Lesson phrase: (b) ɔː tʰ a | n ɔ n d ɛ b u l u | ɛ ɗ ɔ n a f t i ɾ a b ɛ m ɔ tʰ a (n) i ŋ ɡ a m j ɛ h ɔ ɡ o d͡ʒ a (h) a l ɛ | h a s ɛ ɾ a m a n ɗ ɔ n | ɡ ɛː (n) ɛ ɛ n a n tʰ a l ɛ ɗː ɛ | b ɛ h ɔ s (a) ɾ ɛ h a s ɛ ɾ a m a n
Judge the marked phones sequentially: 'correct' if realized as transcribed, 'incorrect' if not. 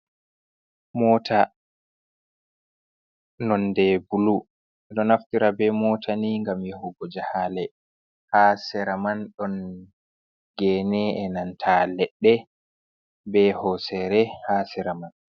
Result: incorrect, correct, correct, correct, incorrect

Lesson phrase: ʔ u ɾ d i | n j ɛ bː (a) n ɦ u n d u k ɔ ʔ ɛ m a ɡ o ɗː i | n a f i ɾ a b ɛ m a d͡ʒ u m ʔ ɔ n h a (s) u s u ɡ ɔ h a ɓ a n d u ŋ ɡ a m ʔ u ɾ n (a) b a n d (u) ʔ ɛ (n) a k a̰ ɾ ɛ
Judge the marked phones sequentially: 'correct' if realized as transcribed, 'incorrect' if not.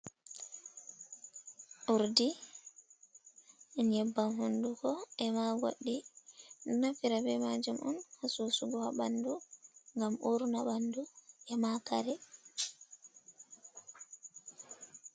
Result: correct, correct, correct, correct, incorrect

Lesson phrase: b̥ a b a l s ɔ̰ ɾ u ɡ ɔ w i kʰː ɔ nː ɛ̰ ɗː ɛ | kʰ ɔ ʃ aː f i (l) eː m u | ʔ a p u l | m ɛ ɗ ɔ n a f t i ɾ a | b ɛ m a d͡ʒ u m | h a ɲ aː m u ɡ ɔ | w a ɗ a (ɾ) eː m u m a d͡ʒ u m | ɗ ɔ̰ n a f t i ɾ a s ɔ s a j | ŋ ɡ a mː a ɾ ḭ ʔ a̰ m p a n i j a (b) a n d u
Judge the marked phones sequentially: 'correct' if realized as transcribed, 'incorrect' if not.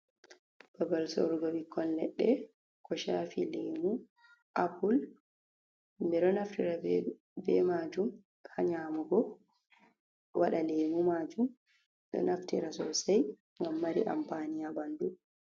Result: correct, incorrect, correct

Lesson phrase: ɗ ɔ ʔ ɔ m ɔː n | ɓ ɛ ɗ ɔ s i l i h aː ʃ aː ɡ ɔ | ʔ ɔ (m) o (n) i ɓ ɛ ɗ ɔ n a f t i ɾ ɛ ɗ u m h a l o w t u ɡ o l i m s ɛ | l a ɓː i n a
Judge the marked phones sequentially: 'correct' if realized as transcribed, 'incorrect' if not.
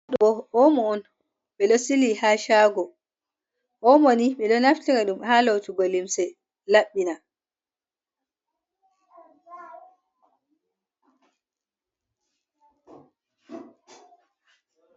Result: correct, correct

